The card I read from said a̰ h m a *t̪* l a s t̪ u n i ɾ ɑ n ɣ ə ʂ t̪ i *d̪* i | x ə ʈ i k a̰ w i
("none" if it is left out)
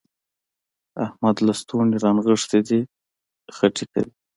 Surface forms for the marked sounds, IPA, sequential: d̪, d̪

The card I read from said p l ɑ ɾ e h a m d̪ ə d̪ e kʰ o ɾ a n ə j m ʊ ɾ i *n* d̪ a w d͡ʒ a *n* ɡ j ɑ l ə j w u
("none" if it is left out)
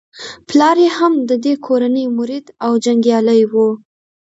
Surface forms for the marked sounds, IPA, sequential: none, ŋ

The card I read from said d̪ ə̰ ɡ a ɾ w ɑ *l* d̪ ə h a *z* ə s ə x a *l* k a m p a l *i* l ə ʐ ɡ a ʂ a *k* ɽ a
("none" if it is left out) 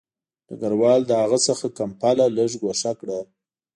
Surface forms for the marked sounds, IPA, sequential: l, ɣ, none, a, k

